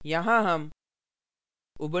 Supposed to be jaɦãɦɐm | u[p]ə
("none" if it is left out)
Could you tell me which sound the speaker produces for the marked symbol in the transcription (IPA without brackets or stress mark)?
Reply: b